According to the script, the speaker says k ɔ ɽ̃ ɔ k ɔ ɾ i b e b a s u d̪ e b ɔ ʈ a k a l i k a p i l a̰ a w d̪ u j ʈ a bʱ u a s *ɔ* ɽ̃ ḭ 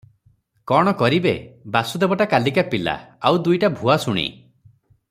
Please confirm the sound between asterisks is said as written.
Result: no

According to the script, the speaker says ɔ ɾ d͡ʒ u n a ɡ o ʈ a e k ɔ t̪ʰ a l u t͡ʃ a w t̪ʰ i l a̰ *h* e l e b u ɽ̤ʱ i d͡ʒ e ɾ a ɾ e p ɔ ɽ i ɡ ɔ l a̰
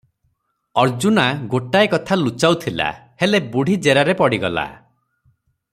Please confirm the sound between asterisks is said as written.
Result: yes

